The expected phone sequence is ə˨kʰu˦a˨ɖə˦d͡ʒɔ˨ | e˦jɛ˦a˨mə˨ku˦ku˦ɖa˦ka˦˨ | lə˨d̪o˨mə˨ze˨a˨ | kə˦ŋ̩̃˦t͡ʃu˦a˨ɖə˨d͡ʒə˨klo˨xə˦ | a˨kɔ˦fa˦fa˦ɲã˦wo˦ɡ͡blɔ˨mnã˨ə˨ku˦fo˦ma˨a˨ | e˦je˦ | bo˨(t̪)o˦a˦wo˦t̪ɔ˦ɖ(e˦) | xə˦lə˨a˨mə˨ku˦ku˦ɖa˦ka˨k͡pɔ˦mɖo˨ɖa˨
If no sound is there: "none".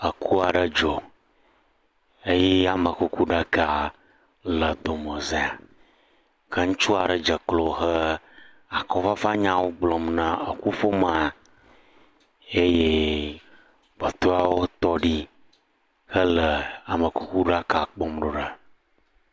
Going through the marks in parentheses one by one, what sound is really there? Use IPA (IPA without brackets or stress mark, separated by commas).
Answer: t̪, i˦